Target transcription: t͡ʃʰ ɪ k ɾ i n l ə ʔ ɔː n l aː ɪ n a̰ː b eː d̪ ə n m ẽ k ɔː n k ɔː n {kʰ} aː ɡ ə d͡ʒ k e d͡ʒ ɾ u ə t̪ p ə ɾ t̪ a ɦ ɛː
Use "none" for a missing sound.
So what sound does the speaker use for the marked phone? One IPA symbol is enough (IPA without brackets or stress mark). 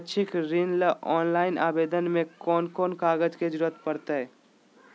k